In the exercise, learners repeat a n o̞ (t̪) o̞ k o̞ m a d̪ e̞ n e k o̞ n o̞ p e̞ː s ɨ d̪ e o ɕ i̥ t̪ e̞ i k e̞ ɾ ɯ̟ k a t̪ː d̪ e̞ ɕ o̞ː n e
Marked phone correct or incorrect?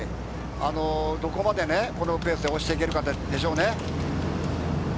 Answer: incorrect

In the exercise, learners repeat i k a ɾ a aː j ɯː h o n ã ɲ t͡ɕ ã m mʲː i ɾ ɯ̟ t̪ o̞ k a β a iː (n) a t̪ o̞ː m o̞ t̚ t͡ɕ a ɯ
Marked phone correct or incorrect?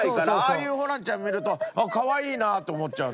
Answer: correct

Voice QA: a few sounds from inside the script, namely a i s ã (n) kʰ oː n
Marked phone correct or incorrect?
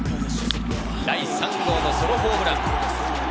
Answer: incorrect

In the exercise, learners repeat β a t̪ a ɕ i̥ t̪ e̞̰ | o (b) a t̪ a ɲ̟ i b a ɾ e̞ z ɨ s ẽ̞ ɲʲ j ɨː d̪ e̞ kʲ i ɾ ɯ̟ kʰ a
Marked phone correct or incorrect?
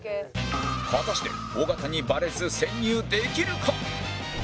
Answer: incorrect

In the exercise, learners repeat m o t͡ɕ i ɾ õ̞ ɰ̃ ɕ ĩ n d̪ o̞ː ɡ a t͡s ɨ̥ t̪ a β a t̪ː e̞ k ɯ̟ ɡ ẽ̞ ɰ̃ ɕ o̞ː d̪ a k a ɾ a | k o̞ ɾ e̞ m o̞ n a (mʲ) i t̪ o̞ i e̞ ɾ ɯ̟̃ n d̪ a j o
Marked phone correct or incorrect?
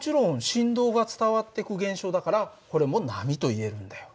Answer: correct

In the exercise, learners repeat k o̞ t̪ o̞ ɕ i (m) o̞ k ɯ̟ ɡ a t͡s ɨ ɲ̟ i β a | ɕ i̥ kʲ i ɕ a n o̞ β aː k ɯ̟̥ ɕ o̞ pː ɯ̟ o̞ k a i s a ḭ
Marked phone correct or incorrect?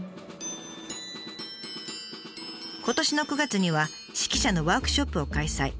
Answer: incorrect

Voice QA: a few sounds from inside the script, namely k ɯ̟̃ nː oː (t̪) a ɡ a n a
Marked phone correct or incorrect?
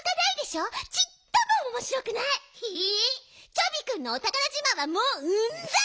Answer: correct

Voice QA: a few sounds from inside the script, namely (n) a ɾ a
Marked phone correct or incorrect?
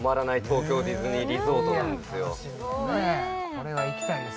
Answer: incorrect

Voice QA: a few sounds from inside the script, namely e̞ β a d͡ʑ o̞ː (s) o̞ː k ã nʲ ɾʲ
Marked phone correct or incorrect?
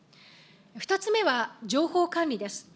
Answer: incorrect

